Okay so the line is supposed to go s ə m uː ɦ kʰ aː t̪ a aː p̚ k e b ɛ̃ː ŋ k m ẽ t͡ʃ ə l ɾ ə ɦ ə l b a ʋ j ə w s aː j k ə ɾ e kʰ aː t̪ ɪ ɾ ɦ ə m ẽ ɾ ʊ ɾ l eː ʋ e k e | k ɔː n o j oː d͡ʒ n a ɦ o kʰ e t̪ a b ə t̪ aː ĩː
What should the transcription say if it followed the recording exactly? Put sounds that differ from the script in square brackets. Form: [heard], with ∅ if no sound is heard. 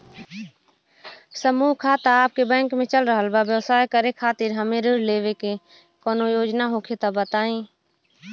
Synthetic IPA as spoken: s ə m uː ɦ kʰ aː t̪ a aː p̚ k e b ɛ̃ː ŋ k m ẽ t͡ʃ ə l ɾ ə ɦ ə l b a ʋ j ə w s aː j k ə ɾ e kʰ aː t̪ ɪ ɾ ɦ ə m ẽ ɾ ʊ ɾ l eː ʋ e k e | k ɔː n o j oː d͡ʒ n a ɦ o kʰ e t̪ a b ə t̪ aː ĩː